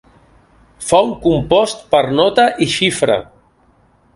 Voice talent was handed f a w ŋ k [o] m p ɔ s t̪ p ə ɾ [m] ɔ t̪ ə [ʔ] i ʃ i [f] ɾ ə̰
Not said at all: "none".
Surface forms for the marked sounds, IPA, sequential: u, n, ʔ, f

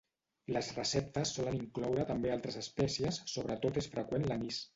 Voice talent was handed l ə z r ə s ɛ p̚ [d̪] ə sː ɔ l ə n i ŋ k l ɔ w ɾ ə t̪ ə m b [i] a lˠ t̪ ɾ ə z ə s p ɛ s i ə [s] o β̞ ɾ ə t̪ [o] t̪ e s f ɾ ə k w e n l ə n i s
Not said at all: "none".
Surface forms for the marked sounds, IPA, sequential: t̪, e, sː, o

